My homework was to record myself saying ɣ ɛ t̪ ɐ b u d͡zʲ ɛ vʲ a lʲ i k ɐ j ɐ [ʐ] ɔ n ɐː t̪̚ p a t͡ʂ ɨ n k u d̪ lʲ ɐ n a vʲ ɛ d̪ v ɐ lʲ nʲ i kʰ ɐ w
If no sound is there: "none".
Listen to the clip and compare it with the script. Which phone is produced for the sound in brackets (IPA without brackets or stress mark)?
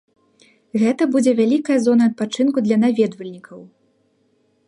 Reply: z